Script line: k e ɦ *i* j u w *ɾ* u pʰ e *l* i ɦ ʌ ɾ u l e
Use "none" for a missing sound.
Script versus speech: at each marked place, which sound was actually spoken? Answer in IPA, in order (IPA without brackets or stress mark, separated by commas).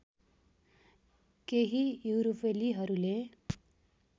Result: i, ɾ, l